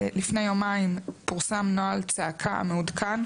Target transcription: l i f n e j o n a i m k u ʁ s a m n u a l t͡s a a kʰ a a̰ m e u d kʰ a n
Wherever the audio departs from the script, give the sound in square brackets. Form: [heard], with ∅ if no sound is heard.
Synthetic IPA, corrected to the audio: l i f n e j o [m] a i m [p] u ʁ s a m n [o] a l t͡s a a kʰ a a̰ m e u d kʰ a n